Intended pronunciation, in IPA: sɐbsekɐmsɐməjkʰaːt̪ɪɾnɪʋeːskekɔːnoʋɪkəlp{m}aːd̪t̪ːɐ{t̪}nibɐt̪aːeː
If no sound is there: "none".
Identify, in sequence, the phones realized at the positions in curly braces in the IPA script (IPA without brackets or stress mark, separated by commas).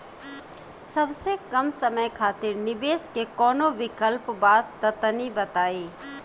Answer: b, t̪